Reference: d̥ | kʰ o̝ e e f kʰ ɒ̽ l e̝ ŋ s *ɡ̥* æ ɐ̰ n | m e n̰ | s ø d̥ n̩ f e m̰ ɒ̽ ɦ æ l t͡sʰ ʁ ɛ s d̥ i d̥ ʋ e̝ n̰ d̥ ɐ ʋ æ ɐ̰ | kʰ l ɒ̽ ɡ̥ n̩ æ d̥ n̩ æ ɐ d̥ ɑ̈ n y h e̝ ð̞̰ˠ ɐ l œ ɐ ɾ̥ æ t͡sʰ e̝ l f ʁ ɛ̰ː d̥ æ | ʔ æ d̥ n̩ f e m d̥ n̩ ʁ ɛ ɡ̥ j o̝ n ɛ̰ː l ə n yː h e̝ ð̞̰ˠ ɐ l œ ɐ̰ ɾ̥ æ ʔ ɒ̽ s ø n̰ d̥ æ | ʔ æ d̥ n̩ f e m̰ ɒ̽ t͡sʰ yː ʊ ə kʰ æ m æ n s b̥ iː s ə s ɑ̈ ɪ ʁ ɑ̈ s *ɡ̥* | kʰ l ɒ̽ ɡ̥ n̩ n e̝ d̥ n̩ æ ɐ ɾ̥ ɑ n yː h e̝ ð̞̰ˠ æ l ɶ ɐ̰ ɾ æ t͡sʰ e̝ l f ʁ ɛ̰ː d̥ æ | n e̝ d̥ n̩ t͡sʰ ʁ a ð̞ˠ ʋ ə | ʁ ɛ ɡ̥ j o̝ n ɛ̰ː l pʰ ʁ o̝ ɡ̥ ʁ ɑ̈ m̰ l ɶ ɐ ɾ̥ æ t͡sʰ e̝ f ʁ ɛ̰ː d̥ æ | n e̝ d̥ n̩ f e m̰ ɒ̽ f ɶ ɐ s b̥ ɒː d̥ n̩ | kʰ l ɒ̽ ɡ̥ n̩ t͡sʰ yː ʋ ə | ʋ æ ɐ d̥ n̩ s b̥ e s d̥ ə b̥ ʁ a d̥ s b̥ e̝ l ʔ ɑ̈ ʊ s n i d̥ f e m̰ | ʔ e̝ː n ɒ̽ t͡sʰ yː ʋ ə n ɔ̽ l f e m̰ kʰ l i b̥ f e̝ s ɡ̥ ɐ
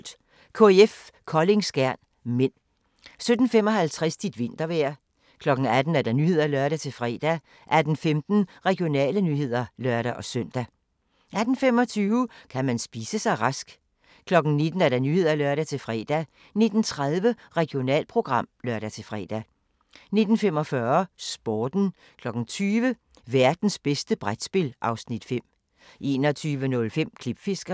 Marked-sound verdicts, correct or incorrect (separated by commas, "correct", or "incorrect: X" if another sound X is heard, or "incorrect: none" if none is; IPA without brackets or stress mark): correct, correct